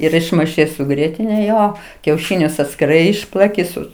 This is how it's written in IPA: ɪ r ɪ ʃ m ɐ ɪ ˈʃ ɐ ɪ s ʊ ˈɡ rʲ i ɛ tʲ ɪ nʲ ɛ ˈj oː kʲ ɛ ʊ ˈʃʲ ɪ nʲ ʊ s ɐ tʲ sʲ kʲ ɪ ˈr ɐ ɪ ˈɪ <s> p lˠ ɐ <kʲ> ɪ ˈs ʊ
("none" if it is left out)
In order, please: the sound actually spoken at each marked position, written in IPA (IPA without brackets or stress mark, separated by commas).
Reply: ʃ, kʲ